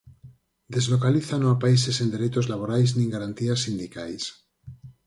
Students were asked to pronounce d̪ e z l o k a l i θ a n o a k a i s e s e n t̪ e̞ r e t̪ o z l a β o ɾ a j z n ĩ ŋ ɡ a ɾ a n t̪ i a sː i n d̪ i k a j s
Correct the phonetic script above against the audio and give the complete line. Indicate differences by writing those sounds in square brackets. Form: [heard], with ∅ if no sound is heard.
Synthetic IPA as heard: d̪ e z l o k a l i θ a n o a [p] a i s e s e n [d̪] e̞ [ɾ] e t̪ o z l a β o ɾ a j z n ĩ ŋ ɡ a ɾ a n t̪ i a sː i n d̪ i k a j s